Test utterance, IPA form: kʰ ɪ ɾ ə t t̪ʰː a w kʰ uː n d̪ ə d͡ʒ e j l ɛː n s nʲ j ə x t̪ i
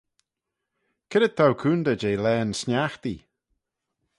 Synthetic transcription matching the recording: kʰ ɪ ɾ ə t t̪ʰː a w kʰ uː n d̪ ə d͡ʒ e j l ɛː n s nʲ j a x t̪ i